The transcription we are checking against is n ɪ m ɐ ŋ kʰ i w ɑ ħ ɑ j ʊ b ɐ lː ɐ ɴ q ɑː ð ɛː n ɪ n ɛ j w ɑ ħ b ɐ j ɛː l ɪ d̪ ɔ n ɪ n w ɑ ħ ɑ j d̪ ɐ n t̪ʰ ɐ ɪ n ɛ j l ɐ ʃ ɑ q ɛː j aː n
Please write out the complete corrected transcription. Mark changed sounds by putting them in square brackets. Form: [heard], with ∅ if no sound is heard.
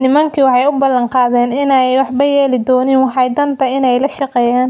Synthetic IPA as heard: n ɪ m ɐ ŋ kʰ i w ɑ ħ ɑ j ʊ b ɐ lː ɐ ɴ q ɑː ð ɛː n ɪ n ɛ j w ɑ ħ b ɐ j ɛː l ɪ d̪ [ɔː] n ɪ n w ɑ ħ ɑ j d̪ ɐ n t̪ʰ ɐ ɪ n ɛ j l ɐ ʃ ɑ q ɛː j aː n